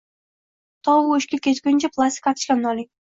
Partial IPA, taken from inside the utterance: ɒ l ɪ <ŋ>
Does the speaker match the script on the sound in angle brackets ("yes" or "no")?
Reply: yes